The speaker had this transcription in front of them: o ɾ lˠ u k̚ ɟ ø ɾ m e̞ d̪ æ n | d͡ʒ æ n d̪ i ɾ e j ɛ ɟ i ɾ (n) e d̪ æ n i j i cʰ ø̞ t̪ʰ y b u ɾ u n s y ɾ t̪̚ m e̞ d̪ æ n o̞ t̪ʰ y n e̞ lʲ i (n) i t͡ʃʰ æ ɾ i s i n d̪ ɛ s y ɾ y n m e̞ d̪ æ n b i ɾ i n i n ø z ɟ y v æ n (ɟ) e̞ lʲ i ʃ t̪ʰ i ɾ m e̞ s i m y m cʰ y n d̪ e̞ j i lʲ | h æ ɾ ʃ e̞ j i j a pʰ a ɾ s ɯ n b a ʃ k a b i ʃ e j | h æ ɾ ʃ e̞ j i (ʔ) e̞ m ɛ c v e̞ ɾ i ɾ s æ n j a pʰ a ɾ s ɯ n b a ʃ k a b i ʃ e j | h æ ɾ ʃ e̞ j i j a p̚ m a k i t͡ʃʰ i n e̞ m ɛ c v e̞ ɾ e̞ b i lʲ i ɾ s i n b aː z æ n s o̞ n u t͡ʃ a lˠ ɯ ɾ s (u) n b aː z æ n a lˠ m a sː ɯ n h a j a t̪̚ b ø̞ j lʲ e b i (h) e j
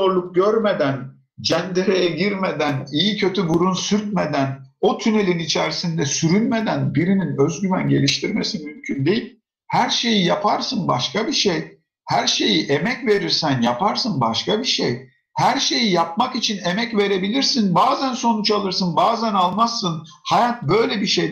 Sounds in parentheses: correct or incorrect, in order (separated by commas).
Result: incorrect, correct, correct, correct, incorrect, incorrect